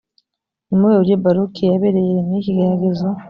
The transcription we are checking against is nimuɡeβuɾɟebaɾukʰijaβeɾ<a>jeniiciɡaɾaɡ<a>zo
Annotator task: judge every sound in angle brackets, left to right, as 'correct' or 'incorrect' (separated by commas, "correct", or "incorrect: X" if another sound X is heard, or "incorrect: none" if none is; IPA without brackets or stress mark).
incorrect: e, incorrect: e